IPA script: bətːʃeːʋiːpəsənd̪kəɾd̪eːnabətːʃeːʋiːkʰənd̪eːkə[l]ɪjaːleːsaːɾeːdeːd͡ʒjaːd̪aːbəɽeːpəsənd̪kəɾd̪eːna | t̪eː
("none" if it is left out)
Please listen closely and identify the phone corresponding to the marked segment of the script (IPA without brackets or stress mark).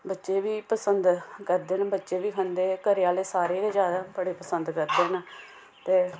ɾ